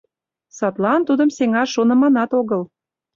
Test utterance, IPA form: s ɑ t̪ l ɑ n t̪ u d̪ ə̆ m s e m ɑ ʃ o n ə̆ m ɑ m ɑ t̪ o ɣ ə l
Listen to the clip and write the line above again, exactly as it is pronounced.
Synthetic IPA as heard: s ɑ t̪ l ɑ n t̪ u d̪ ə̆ m s e ŋ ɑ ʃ o n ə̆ m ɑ n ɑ t̪ o ɣ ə l